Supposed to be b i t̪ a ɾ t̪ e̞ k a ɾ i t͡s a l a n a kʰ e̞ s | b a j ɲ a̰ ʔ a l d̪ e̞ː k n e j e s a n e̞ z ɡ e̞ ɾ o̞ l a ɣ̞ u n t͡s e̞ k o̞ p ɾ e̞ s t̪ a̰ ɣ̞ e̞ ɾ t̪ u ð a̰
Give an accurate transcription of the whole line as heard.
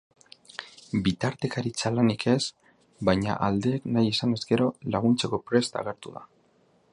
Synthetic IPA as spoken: b i t̪ a ɾ t̪ e̞ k a ɾ i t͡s a l a n i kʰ e̞ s | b a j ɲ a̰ ʔ a l d̪ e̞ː k n a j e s a n e̞ z ɡ e̞ ɾ o̞ l a ɣ̞ u n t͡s e̞ k o̞ p ɾ e̞ s t̪ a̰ ɣ̞ e̞ ɾ t̪ u ð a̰